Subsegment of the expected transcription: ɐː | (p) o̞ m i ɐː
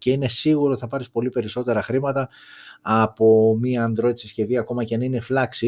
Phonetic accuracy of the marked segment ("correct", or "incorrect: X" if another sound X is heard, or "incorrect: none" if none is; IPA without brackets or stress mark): correct